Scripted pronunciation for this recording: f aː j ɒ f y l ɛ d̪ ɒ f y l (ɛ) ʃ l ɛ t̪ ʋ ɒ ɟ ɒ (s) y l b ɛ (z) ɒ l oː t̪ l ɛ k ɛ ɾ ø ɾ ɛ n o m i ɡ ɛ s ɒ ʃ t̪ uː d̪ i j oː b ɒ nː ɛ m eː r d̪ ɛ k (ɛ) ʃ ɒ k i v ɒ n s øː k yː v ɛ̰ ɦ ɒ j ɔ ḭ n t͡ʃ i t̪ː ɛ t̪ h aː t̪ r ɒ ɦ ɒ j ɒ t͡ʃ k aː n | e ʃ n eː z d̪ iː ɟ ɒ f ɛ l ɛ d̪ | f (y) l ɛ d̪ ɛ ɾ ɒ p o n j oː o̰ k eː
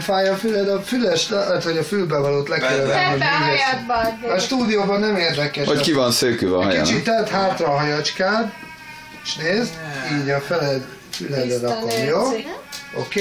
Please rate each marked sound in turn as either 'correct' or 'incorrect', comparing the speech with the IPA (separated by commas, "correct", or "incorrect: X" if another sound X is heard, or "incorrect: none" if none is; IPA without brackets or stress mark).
correct, incorrect: f, incorrect: v, correct, correct